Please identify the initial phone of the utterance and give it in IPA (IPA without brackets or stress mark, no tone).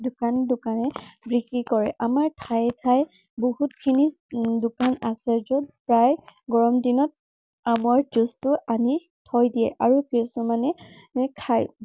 d